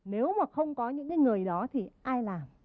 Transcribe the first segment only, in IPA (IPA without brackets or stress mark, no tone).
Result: n